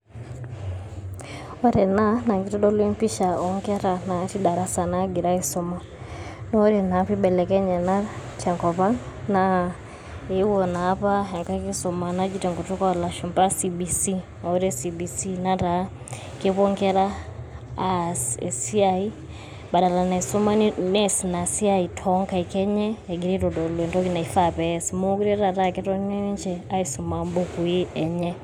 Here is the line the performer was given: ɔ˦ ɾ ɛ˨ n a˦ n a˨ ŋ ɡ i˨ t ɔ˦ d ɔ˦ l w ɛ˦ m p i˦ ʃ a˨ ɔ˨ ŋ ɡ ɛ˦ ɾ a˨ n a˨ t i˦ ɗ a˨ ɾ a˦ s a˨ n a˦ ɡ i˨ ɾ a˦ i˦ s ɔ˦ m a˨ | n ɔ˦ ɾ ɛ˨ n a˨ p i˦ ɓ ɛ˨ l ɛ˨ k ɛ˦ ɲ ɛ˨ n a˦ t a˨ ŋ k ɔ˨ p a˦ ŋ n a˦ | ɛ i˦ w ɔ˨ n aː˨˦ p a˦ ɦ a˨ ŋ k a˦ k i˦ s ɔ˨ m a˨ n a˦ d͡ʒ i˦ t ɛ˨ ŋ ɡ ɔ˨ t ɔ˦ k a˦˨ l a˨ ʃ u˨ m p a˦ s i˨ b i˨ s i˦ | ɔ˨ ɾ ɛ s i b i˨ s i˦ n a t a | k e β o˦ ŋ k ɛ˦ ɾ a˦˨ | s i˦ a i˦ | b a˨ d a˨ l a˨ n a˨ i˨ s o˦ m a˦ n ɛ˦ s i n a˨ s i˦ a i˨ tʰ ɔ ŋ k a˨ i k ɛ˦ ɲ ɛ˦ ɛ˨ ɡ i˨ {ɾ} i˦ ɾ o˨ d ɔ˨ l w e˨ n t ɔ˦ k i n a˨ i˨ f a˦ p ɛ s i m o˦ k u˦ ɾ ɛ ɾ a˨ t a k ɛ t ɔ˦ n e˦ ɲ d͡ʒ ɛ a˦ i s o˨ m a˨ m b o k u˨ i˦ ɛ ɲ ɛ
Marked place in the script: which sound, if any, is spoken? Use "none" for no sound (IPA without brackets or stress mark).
ɾ